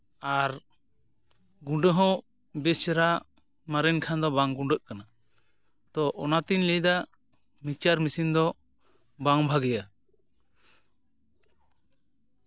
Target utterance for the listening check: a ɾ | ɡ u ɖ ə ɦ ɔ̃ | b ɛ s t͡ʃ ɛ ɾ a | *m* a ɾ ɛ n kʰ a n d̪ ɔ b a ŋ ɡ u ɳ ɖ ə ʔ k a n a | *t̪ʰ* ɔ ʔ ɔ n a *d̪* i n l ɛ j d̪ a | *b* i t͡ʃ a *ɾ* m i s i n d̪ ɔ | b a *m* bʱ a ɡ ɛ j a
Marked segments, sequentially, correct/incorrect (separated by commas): correct, incorrect, incorrect, incorrect, correct, incorrect